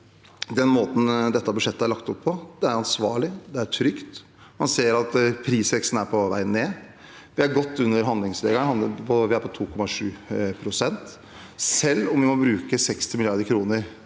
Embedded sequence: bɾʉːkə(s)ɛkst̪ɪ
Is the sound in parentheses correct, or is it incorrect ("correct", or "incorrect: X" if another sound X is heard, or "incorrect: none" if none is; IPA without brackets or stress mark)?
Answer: correct